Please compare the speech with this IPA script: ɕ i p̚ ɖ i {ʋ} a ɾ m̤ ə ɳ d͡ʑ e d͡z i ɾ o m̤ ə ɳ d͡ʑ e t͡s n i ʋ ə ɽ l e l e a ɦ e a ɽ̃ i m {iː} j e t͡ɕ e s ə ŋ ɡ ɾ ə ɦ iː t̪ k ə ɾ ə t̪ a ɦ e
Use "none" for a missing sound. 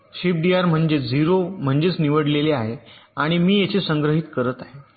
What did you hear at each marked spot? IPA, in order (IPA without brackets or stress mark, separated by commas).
none, iː